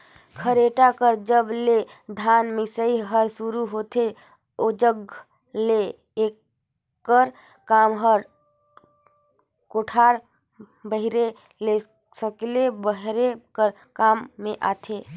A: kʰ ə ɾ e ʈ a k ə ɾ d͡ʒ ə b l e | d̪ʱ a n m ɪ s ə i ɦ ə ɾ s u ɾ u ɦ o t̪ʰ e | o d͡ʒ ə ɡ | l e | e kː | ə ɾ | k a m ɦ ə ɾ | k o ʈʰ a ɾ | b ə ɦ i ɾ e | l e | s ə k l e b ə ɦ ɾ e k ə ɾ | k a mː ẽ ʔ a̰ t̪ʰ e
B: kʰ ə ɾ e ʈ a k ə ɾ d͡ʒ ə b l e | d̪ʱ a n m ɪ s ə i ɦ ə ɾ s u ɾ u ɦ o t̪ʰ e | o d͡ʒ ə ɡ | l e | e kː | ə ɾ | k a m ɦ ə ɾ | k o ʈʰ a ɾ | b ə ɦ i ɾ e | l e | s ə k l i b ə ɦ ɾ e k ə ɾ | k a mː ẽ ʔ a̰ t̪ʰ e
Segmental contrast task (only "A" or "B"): A